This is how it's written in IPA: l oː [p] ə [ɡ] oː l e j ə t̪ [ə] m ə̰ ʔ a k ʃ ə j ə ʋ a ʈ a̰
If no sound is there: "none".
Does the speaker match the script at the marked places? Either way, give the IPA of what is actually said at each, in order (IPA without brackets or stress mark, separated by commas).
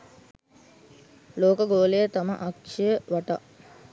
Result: k, ɡ, a